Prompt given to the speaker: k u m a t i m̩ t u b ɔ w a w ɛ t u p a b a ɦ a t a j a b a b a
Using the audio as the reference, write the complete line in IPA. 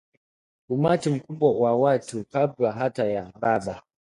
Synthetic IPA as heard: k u m a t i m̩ k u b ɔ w a w a t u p a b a ɦ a t a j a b a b a